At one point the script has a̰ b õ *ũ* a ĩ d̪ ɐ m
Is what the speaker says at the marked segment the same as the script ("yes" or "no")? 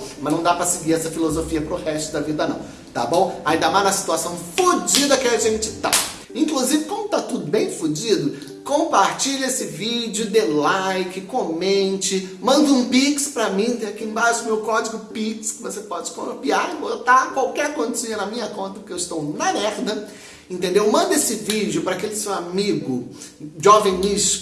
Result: no